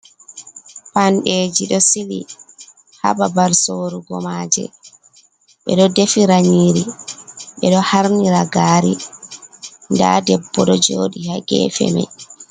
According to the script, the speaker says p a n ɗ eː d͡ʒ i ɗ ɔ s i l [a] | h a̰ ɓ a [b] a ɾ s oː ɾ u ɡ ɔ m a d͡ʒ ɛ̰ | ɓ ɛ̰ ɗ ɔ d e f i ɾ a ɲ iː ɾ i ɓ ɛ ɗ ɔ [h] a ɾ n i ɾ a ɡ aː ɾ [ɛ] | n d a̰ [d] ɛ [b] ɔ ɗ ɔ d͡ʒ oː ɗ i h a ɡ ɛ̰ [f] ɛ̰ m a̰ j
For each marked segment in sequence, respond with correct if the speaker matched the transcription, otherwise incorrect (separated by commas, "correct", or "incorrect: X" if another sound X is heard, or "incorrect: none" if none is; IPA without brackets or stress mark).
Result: incorrect: i, correct, correct, incorrect: i, correct, incorrect: bː, correct